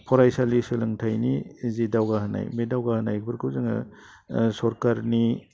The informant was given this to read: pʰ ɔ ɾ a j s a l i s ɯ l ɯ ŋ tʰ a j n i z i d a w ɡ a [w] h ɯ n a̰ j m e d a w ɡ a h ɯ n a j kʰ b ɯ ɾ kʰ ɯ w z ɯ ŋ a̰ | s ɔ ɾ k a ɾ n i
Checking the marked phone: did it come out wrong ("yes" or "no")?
yes